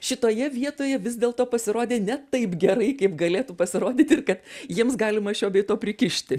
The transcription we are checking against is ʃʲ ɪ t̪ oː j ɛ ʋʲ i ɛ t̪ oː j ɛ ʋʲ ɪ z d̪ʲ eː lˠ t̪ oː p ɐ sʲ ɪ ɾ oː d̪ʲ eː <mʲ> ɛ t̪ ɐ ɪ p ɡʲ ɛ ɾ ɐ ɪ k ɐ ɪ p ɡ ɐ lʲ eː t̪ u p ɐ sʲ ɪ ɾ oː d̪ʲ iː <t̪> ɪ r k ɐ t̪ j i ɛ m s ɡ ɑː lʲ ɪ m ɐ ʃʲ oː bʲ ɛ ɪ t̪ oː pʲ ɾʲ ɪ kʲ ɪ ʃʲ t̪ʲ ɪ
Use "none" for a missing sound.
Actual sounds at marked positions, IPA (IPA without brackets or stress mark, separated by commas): nʲ, t̪